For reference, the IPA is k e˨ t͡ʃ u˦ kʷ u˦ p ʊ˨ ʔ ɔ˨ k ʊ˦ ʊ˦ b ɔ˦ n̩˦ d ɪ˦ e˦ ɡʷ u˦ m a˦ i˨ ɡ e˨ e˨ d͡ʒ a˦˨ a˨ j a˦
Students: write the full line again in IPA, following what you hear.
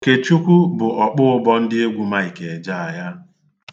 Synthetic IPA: k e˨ t͡ʃ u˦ kʷ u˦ b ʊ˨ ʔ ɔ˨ k͡p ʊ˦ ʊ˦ b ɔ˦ n̩˦ d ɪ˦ e˦ ɡʷ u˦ m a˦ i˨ k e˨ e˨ d͡ʒ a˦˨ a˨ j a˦